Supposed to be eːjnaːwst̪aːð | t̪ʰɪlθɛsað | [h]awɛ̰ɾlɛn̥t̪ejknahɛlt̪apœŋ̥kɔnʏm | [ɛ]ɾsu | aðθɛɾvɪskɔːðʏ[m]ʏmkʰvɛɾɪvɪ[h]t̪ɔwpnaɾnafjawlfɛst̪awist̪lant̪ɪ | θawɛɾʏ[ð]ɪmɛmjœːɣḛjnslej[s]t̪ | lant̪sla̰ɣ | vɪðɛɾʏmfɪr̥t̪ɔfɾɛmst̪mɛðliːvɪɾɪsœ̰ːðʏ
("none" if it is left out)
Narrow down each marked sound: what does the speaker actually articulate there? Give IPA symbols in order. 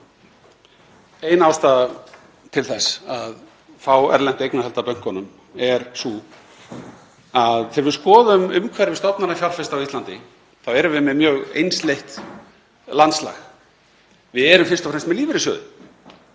f, ɛ, m, s, v, h

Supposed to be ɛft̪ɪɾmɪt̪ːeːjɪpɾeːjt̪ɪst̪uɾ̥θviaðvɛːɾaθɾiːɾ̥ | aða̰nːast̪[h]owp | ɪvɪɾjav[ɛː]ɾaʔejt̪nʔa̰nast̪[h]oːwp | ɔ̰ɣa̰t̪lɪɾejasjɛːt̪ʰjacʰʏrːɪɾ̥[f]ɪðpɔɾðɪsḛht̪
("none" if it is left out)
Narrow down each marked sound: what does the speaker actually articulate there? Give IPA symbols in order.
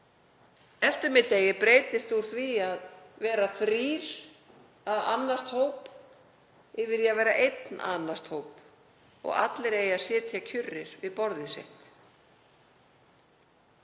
h, ɛː, h, v

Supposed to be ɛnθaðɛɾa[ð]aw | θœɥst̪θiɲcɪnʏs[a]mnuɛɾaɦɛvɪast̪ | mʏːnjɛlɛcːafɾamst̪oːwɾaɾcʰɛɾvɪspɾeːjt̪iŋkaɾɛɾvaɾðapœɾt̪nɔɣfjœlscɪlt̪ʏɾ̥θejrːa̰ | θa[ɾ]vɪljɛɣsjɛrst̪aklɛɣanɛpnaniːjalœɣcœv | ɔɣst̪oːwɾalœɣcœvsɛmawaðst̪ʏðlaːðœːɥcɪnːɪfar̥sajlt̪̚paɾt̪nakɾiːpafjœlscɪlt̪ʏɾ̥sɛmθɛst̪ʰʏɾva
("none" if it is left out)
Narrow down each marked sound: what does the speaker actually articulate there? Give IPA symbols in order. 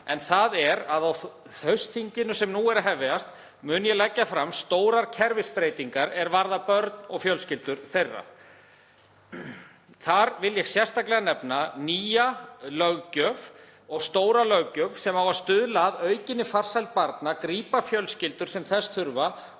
ð, ɛ, ɾ

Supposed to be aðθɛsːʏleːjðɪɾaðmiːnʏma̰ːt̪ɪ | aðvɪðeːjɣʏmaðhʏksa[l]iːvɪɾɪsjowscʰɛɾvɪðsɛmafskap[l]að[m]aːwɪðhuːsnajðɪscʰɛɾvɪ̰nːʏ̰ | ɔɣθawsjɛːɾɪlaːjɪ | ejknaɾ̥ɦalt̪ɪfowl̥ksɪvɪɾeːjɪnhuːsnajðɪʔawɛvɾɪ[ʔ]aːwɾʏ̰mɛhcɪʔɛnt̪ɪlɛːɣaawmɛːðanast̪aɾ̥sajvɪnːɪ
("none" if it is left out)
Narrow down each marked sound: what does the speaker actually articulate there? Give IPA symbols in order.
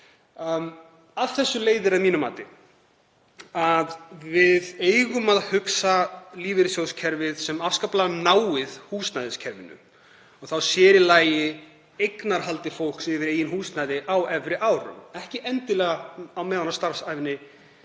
l, l, n, ʔ

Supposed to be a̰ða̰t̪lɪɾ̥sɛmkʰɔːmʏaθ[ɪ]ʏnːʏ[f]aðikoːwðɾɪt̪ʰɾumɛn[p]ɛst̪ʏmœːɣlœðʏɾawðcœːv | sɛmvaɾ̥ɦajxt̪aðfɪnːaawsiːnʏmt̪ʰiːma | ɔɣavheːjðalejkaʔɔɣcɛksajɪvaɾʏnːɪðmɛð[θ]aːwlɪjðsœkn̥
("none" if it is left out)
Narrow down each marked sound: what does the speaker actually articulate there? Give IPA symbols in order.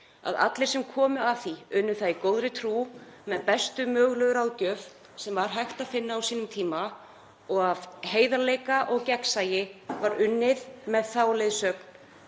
i, θ, p, θ

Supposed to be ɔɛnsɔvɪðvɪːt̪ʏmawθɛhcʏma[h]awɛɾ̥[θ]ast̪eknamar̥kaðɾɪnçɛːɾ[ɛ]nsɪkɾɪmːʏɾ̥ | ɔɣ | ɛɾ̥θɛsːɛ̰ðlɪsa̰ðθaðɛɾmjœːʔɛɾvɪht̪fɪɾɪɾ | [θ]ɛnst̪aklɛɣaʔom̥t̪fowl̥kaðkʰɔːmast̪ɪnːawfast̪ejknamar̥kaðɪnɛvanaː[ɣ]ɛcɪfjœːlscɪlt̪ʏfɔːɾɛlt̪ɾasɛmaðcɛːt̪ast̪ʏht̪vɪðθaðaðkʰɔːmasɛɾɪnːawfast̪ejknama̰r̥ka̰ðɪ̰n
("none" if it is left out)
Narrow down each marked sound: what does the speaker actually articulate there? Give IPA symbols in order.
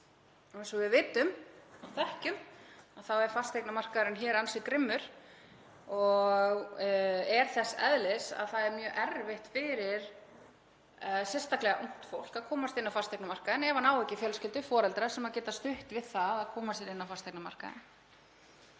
θ, f, a, s, w

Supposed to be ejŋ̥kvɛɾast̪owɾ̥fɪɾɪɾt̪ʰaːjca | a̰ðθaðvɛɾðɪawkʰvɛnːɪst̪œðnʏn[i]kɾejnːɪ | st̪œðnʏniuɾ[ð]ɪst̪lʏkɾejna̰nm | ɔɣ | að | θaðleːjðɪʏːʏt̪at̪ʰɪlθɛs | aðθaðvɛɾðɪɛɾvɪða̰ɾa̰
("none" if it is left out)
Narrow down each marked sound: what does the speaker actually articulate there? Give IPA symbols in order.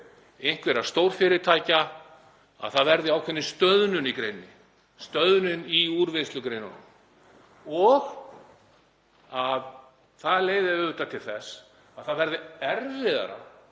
i, v

